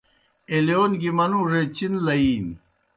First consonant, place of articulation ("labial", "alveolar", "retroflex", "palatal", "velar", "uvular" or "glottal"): alveolar